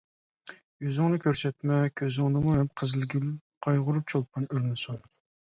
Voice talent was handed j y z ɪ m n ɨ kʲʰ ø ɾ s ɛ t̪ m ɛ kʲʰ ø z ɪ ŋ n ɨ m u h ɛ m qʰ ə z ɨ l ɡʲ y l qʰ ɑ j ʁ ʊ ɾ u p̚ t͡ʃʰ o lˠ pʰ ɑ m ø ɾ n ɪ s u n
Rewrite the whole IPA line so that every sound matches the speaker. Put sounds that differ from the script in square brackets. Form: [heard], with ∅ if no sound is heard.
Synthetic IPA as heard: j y z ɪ [ŋ] n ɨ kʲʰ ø ɾ s ɛ t̪ m ɛ kʲʰ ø z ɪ ŋ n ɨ m u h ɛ m qʰ ə z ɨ l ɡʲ y l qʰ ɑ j ʁ ʊ ɾ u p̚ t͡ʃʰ o lˠ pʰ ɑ [n] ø ɾ n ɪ s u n